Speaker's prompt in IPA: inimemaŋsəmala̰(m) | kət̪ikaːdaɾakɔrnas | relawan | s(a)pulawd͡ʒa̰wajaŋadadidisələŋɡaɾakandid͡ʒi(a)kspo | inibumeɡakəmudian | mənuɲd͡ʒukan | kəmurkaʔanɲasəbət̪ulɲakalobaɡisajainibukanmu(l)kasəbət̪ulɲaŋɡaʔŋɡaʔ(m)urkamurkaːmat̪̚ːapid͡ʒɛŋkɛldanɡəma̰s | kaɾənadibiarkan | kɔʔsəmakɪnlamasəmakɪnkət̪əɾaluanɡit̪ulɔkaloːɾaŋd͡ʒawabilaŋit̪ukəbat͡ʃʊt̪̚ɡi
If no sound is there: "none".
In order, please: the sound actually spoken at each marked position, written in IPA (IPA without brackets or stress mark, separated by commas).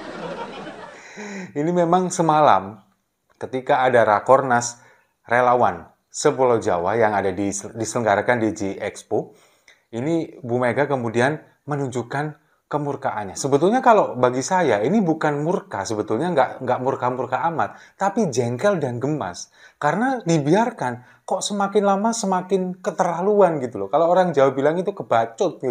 m, ə, ɛ, r, m